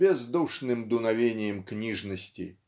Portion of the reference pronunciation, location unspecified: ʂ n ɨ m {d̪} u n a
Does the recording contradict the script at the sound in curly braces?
no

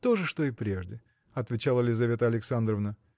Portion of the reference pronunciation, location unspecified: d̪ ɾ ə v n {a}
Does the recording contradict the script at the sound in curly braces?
yes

